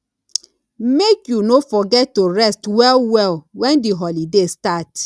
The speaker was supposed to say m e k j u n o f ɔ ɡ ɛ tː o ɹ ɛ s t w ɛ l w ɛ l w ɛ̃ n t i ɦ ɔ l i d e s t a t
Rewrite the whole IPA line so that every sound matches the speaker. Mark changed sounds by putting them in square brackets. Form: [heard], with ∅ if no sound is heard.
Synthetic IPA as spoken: m e k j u n o f ɔ ɡ ɛ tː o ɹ ɛ s t w ɛ l w ɛ l w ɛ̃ n [d] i ɦ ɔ l i d e s t a t